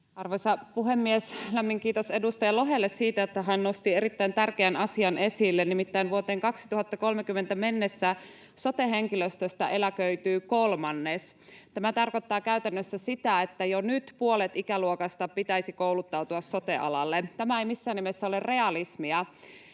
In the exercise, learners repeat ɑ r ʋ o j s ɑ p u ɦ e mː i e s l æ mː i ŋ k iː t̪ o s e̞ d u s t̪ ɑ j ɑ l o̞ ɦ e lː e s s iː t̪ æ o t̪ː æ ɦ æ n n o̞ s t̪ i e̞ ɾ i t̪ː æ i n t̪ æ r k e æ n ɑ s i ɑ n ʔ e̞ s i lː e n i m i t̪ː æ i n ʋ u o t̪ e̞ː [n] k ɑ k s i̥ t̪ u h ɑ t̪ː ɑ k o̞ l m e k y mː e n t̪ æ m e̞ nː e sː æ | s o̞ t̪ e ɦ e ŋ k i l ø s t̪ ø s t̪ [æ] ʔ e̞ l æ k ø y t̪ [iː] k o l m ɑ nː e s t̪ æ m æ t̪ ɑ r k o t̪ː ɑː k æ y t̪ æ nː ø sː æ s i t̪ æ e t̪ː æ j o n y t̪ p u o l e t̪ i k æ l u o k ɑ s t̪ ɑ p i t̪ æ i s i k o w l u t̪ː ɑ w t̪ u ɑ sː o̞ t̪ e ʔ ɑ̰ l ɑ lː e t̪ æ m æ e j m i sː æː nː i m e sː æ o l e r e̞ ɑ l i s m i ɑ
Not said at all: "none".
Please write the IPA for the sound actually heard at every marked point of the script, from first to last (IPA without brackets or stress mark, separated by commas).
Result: ŋ, æ, yː